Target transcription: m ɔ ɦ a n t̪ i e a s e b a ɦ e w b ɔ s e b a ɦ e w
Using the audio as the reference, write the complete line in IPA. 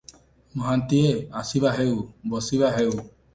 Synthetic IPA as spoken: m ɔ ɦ a n t̪ i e a s i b a ɦ e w b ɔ s i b a ɦ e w